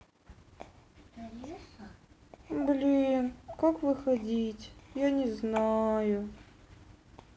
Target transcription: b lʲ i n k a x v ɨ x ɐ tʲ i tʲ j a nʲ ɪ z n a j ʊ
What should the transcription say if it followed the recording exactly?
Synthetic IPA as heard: b lʲ i n k a k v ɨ x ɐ dʲ i tʲ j a nʲ ɪ z n a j ʊ